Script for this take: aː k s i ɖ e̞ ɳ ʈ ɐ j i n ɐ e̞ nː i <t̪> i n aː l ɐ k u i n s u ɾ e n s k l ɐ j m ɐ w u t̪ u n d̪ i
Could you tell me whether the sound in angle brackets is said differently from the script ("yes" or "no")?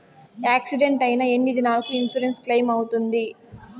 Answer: yes